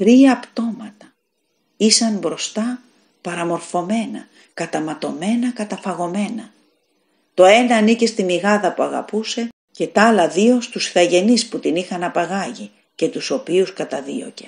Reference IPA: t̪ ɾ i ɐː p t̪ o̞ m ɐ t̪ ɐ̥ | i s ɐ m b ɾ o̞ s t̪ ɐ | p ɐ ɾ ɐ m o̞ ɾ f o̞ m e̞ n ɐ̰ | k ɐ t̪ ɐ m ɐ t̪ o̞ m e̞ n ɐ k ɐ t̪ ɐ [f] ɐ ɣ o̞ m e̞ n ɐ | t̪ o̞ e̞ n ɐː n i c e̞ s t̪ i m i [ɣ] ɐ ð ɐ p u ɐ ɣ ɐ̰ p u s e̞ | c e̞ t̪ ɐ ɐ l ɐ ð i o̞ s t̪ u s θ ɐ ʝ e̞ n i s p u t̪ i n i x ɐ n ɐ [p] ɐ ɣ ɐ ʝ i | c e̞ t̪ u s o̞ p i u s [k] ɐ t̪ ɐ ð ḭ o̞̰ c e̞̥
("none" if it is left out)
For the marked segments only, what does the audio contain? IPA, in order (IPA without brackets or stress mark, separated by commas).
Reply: f, ɣ, p, k